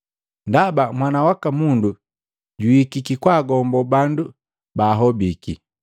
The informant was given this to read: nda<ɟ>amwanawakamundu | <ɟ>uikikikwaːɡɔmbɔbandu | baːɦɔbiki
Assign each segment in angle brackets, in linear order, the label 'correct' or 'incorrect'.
incorrect, correct

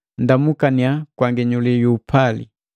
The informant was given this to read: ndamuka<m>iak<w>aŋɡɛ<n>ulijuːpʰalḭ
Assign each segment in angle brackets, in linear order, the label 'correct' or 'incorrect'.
incorrect, correct, incorrect

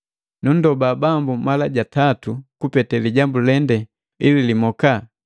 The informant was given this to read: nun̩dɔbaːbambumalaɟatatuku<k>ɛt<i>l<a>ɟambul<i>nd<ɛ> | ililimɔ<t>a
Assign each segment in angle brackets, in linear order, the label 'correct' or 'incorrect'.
incorrect, incorrect, incorrect, incorrect, correct, incorrect

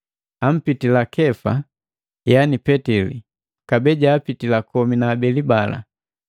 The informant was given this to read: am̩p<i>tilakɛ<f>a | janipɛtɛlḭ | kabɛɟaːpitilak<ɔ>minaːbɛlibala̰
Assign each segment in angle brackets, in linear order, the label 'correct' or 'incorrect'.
correct, correct, correct

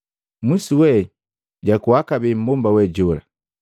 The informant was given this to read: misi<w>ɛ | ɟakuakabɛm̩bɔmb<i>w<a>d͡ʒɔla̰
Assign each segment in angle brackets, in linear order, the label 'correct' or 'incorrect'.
correct, incorrect, incorrect

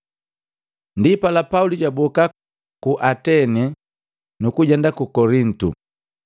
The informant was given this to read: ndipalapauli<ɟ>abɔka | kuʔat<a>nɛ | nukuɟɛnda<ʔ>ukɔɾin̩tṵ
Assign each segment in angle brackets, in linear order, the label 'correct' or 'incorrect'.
correct, incorrect, incorrect

